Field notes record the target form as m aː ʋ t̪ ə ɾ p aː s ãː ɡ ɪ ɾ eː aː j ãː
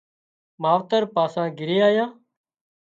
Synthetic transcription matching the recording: m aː ʋ t̪ ə ɾ p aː s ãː ɡ ɪ ɾ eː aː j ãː